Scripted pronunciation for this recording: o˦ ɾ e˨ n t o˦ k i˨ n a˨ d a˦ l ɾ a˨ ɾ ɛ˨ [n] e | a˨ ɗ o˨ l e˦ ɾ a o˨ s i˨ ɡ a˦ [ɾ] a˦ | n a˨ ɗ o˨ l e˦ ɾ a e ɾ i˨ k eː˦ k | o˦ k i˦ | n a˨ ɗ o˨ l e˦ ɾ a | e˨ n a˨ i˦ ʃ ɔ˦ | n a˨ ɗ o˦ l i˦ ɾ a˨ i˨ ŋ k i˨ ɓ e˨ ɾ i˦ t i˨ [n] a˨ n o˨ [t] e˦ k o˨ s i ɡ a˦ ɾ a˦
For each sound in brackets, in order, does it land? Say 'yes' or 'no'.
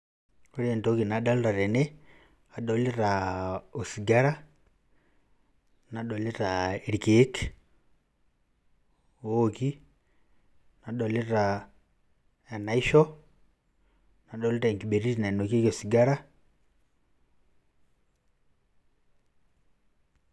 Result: yes, yes, yes, no

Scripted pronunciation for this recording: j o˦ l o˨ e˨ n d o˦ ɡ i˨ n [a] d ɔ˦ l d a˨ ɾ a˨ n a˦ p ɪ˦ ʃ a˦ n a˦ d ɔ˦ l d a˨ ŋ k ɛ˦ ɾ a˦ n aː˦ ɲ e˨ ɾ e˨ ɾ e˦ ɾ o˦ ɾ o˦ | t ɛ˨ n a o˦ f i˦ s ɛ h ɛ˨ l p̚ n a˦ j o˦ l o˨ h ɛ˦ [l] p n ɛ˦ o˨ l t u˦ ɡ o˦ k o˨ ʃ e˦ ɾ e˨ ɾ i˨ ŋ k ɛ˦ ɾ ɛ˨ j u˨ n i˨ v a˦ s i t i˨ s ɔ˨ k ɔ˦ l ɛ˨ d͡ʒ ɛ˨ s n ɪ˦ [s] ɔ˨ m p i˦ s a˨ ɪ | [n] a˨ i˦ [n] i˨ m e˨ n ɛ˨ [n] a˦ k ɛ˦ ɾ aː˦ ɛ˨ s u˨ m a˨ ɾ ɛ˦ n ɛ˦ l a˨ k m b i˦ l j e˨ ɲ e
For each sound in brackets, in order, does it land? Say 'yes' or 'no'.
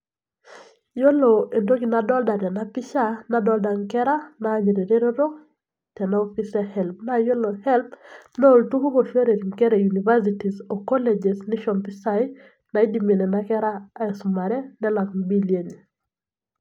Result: yes, yes, no, yes, no, yes

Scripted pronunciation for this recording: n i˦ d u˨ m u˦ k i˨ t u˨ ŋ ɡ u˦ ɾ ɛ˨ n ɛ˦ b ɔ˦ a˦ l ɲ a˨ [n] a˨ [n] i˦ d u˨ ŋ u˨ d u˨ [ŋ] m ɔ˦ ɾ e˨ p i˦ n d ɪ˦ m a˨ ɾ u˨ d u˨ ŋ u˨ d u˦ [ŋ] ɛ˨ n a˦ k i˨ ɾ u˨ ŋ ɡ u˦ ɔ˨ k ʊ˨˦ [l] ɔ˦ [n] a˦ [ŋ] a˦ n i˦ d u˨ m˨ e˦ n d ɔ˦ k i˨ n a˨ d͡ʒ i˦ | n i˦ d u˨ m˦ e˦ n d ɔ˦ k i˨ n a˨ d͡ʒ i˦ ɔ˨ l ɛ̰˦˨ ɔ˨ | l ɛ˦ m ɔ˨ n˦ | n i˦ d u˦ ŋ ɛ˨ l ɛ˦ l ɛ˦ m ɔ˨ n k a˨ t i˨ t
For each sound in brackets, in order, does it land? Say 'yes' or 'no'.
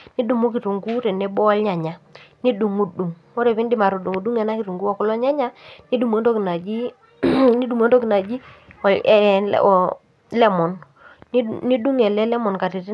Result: no, yes, yes, yes, yes, no, no

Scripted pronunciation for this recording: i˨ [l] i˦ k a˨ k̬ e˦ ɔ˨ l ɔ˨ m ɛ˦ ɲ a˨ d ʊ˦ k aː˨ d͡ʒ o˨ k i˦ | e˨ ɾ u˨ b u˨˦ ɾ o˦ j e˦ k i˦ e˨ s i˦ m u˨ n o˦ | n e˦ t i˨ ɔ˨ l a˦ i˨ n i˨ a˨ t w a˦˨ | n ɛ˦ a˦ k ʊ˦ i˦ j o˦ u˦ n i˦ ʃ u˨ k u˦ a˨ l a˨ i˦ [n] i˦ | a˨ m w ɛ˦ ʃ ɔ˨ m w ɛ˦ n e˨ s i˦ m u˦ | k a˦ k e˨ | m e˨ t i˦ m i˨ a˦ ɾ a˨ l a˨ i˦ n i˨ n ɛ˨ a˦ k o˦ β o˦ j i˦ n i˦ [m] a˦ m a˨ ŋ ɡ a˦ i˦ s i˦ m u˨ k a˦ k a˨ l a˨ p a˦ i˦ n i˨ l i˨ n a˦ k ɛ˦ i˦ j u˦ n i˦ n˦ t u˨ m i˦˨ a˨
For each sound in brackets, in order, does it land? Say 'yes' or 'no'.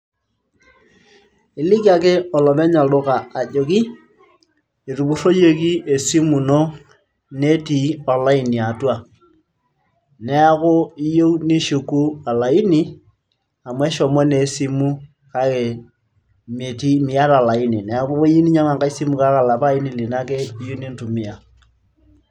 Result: yes, yes, no

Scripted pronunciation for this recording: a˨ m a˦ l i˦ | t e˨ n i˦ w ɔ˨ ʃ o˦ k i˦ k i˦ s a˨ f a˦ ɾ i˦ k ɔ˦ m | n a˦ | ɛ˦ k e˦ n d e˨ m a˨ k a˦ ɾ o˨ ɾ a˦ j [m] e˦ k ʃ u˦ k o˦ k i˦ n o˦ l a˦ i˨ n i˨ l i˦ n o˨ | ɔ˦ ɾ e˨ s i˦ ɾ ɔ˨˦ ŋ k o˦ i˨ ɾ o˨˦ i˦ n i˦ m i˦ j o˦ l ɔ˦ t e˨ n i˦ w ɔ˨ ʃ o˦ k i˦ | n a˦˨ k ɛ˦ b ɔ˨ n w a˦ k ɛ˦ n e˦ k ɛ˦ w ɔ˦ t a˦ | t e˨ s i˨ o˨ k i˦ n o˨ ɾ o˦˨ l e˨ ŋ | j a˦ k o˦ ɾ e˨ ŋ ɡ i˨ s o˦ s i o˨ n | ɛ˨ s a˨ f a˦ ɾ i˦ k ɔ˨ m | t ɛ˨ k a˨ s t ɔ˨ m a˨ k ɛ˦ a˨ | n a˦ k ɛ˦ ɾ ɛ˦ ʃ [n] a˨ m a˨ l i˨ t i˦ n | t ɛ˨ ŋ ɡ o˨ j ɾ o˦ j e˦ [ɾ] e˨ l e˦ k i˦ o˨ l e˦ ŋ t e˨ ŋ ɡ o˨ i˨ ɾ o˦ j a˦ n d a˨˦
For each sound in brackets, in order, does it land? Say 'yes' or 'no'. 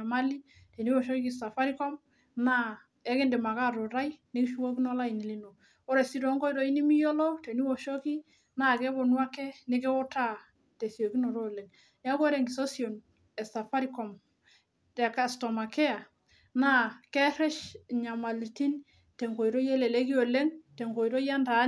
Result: no, no, no

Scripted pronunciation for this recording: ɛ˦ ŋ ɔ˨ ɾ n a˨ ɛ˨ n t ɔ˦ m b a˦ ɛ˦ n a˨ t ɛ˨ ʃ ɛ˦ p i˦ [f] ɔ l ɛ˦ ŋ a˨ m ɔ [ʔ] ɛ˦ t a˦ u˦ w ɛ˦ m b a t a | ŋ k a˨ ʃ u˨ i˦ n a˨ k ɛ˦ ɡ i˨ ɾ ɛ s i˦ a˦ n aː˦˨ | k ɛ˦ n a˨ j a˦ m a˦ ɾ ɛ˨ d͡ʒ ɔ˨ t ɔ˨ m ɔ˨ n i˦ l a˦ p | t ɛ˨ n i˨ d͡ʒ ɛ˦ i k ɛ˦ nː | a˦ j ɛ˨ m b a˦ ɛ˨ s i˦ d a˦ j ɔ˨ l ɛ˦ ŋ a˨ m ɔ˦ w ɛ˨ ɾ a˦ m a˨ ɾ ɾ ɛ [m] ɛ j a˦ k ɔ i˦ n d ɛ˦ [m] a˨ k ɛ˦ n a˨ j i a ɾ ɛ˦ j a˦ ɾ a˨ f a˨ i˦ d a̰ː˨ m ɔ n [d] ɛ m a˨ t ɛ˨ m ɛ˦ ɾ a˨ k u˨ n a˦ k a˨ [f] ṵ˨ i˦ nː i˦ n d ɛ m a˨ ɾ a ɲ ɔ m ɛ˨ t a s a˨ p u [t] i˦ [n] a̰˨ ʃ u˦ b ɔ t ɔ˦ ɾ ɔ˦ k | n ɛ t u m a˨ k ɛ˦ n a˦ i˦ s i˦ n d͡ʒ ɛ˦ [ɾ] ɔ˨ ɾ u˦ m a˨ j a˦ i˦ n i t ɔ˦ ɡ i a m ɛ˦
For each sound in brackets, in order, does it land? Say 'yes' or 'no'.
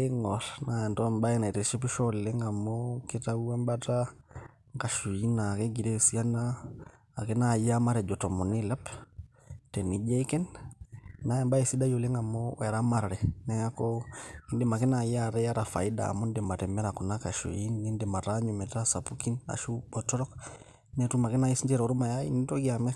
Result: no, no, no, yes, yes, no, no, yes, yes

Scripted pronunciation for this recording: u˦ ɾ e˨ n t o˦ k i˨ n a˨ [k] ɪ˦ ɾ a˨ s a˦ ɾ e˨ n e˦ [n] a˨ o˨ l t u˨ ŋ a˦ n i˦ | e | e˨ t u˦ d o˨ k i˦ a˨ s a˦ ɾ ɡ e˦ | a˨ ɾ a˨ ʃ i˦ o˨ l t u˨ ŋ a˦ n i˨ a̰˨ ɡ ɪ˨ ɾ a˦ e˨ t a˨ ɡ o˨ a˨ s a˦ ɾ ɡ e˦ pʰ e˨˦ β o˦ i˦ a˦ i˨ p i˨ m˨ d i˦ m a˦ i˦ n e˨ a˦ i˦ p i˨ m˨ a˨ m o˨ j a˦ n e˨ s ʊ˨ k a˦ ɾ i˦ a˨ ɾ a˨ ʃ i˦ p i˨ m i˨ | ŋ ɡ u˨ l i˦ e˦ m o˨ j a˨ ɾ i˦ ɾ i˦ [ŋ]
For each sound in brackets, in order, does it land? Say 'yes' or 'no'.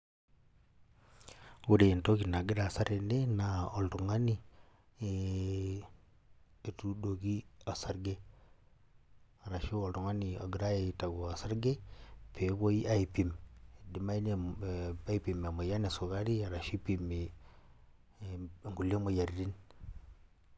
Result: no, yes, no

